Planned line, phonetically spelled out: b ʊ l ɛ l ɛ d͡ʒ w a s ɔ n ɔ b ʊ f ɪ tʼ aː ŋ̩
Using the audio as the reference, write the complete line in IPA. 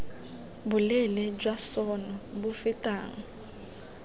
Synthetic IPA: b ʊ l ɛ l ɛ d͡ʒ w a s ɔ n ɔ b ʊ f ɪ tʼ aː ŋ̩